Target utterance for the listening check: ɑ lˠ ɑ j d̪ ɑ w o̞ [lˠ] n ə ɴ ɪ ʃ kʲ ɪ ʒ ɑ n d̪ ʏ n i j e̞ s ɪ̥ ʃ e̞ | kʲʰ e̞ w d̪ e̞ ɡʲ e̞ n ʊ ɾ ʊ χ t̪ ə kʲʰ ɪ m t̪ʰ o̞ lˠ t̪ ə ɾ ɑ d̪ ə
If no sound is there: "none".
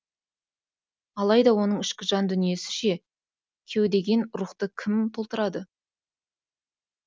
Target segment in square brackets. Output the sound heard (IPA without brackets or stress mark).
none